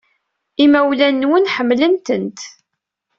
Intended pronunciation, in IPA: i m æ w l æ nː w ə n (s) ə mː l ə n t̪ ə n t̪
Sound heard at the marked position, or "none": ħ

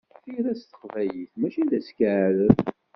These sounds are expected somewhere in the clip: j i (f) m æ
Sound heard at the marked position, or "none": θ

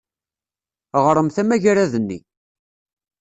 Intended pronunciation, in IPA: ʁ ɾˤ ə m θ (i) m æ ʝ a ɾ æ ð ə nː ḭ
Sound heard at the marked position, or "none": æ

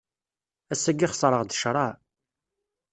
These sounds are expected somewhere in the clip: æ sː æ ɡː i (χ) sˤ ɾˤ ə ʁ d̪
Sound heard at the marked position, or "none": χ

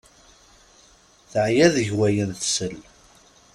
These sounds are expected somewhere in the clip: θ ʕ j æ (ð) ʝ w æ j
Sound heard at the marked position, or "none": ð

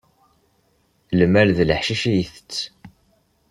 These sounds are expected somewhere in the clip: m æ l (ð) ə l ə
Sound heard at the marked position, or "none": ð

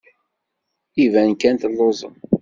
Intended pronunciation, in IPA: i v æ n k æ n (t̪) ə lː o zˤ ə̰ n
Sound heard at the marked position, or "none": t̪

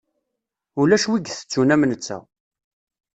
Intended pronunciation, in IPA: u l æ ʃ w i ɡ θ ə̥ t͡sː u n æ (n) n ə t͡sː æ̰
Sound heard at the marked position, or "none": m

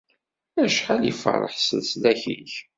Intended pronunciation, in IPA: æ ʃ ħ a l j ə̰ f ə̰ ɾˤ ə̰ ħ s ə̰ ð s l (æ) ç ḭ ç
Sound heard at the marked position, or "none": æ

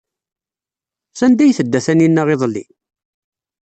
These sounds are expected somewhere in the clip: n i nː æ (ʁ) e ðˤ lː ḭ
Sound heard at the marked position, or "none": ʁ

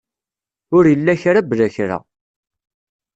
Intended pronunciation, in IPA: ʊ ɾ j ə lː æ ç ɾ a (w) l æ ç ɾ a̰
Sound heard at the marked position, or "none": b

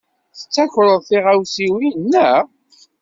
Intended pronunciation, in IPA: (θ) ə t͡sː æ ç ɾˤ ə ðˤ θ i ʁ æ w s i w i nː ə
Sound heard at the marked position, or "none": θ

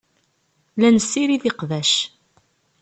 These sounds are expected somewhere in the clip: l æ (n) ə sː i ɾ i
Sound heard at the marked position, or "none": n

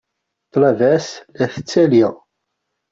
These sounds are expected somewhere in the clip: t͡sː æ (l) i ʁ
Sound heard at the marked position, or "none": l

